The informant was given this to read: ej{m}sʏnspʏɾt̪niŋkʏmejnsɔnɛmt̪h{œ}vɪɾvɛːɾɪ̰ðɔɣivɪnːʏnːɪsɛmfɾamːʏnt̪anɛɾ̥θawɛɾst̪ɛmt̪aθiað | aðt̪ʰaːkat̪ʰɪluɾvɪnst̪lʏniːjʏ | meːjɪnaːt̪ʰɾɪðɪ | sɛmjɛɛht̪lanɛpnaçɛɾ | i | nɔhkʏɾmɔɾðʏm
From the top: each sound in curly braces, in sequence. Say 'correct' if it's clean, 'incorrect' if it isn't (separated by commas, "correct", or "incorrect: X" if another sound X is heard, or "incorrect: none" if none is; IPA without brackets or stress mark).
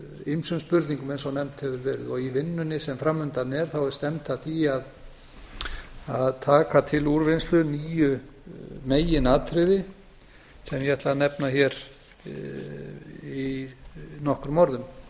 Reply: correct, incorrect: ɛ